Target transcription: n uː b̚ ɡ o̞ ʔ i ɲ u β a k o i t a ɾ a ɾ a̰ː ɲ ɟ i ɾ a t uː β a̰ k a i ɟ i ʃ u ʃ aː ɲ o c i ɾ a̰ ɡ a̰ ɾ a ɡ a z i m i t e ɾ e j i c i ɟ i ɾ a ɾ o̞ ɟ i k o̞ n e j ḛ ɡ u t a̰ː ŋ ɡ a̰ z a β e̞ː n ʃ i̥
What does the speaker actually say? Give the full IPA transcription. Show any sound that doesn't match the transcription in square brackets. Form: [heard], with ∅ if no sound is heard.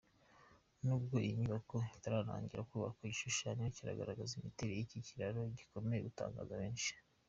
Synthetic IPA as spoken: n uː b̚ ɡ o̞ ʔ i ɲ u β a k o i t a ɾ a ɾ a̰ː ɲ ɟ i ɾ a [k] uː β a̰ k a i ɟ i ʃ u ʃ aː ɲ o c i ɾ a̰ ɡ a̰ ɾ a ɡ a z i m i t e ɾ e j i c i [c] i ɾ a ɾ o̞ ɟ i k o̞ [m] e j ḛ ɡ u t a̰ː ŋ ɡ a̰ z a β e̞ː n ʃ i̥